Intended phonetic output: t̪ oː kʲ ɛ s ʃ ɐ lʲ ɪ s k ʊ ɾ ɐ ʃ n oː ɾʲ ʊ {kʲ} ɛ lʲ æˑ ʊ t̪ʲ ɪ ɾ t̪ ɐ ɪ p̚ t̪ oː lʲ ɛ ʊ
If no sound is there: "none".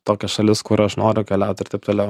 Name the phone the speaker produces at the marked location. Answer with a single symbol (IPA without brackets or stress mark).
kʲ